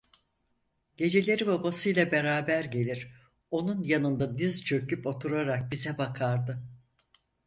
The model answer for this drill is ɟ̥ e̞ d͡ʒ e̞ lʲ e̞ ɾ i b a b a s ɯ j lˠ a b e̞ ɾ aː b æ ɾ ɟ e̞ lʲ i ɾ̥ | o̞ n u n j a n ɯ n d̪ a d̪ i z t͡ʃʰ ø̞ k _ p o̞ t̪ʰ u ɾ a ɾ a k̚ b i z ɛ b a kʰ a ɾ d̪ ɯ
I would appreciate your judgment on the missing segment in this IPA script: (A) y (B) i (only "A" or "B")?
A